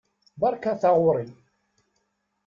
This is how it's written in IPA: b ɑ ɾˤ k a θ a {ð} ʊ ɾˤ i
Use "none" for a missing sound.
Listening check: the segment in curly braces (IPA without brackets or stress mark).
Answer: ʁ